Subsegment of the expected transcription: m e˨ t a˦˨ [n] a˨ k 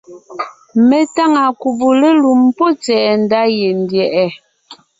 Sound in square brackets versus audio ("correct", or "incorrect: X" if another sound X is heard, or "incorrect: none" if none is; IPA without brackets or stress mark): incorrect: ŋ